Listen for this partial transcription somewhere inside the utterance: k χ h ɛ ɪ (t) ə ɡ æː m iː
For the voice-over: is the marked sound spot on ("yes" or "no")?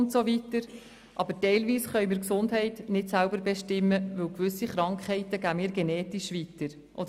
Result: yes